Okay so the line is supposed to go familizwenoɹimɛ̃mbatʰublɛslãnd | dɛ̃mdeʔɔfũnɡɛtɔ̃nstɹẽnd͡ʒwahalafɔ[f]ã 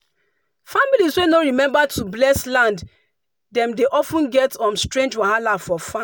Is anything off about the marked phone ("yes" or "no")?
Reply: no